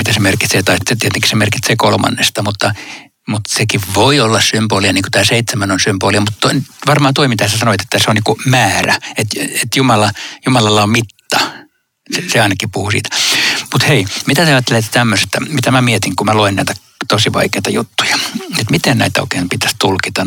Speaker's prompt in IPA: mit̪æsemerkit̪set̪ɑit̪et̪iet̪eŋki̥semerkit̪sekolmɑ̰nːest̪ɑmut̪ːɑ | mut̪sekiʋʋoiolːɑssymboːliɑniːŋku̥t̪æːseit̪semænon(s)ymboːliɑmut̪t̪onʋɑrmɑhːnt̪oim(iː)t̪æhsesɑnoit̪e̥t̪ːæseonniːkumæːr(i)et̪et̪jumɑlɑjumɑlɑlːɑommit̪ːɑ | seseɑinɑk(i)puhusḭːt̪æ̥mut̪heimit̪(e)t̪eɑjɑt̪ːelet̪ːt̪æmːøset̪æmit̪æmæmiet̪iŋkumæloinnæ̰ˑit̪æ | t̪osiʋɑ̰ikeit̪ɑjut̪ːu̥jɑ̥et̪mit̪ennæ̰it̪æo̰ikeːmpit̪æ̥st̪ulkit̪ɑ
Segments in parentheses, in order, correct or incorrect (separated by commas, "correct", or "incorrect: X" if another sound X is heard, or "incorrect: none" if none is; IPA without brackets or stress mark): correct, incorrect: i, incorrect: æ, correct, incorrect: æ